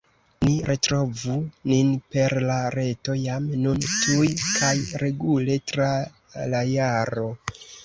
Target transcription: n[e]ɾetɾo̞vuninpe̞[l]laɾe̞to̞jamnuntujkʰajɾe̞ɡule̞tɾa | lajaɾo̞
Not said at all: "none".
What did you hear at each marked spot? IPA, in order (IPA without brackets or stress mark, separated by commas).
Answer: i, ɾ